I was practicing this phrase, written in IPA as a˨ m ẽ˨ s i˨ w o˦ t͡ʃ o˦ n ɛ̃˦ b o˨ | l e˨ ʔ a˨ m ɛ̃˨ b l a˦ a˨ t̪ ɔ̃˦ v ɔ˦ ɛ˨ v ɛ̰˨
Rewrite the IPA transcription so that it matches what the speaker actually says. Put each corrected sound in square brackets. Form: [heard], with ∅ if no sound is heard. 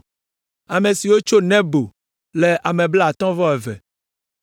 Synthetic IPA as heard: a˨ m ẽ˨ s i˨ w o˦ t͡ʃ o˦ n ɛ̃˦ b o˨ | l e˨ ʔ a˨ m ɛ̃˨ b l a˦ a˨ t̪ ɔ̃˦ v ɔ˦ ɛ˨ v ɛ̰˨